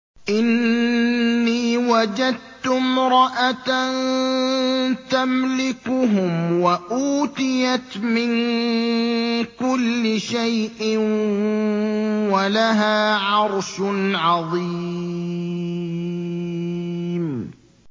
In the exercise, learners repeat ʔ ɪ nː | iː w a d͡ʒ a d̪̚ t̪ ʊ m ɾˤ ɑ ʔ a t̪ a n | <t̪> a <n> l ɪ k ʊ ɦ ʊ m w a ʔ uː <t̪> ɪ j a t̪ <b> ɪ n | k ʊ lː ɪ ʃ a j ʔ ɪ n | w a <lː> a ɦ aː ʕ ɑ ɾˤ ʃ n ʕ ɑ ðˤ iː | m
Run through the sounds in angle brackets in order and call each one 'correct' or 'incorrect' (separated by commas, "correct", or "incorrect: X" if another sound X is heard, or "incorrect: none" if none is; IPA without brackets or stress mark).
correct, incorrect: m, correct, incorrect: m, incorrect: l